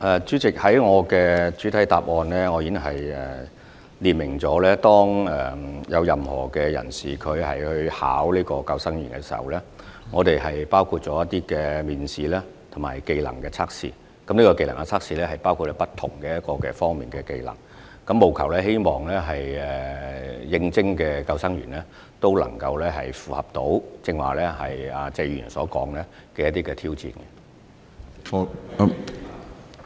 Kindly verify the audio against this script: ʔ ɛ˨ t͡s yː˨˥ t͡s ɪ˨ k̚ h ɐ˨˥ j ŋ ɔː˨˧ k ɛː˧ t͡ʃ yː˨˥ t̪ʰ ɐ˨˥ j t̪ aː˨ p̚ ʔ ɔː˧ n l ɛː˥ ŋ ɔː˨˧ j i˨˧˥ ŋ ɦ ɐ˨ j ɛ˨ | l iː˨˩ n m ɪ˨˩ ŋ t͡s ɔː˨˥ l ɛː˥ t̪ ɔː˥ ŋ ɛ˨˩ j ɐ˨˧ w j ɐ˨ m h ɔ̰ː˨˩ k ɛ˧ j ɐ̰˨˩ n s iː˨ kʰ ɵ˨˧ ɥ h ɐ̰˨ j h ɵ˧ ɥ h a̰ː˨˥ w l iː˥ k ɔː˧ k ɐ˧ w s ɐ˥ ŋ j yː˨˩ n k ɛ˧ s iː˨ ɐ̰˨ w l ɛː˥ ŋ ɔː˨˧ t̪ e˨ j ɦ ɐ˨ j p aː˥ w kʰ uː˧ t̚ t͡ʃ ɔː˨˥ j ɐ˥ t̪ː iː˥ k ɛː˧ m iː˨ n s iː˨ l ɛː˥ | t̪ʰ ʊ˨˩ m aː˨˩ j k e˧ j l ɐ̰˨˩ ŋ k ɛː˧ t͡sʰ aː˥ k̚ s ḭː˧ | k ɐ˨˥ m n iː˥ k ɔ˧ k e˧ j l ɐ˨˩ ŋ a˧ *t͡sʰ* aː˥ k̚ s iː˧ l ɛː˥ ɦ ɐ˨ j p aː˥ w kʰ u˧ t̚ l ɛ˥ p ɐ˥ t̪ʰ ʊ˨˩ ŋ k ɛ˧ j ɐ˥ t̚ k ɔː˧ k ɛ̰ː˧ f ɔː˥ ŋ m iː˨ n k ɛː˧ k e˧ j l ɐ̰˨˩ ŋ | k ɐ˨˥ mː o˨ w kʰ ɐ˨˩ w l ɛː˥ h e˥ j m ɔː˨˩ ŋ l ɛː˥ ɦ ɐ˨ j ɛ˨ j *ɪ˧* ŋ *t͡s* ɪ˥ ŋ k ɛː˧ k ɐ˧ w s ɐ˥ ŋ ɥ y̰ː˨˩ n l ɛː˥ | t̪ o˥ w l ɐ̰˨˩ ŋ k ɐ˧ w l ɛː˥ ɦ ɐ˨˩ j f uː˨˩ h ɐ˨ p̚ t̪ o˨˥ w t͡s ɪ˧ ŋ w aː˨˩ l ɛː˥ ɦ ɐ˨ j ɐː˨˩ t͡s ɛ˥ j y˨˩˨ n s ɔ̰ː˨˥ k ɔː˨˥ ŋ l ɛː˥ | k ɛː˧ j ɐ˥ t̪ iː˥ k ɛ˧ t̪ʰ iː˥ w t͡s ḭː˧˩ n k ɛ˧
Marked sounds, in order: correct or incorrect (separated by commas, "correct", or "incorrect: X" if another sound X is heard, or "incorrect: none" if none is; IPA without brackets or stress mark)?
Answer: correct, correct, correct